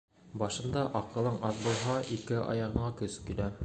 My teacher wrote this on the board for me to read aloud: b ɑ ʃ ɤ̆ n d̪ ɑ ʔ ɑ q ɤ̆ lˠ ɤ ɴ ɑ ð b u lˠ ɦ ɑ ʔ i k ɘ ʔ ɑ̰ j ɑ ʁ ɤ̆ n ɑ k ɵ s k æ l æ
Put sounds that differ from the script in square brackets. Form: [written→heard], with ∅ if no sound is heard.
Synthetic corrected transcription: b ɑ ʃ ɤ̆ n d̪ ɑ ʔ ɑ q ɤ̆ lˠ ɤ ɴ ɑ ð b u lˠ ɦ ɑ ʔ i k ɘ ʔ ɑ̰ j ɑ ʁ ɤ̆ [n→ɴ] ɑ k ɵ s k [æ→i] l æ